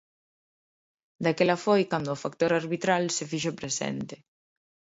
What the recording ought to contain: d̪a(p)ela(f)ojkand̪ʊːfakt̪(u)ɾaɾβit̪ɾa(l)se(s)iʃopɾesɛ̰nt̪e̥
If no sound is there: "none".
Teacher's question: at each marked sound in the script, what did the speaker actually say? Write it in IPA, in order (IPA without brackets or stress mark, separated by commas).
k, f, o, l, f